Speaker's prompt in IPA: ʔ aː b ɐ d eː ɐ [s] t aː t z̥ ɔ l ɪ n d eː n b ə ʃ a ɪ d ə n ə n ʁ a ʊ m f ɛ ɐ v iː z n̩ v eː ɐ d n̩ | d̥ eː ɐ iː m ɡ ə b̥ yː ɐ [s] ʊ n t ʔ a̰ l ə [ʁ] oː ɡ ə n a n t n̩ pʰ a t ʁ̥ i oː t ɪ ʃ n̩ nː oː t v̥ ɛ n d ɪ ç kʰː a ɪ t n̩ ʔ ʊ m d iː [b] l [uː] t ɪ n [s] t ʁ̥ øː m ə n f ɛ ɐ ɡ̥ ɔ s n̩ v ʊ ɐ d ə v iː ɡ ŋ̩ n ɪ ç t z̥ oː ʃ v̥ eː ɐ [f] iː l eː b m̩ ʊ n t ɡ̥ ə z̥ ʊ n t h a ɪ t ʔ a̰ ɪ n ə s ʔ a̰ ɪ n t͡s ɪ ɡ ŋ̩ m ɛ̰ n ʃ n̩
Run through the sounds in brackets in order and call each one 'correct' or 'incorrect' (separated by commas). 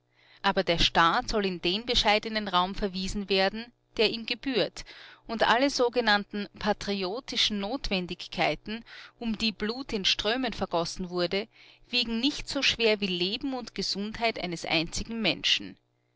incorrect, incorrect, incorrect, correct, correct, incorrect, incorrect